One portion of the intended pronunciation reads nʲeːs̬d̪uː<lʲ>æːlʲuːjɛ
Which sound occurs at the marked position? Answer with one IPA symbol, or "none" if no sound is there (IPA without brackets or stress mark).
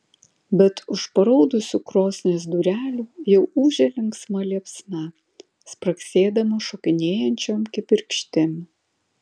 ɾʲ